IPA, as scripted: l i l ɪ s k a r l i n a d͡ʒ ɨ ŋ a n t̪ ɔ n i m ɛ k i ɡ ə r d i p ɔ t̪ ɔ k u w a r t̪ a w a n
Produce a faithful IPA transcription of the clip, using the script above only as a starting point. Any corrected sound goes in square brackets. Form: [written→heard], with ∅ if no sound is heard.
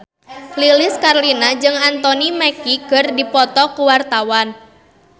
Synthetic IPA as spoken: l i l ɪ s k a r l i n a d͡ʒ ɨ ŋ a n t̪ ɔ n i m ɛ k i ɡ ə r d i p ɔ t̪ ɔ k u w a r t̪ a w a n